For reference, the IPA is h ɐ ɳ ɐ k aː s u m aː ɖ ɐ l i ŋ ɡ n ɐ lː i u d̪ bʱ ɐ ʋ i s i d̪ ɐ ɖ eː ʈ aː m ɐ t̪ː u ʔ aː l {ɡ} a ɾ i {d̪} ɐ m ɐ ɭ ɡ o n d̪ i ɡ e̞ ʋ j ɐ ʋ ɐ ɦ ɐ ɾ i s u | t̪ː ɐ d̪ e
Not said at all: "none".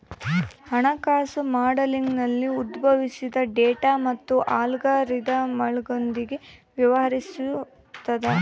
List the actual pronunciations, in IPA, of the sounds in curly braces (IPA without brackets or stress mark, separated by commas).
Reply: ɡ, d̪